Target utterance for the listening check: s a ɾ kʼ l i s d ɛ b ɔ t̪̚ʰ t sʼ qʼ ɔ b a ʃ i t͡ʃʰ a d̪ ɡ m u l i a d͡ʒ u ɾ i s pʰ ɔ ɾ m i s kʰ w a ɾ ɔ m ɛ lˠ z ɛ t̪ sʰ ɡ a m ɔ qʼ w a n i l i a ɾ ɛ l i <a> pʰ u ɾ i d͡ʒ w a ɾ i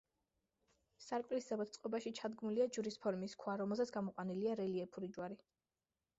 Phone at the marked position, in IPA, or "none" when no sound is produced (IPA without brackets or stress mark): ɛ